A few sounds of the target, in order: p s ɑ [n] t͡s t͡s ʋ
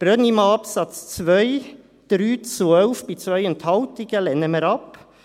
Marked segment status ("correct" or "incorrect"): incorrect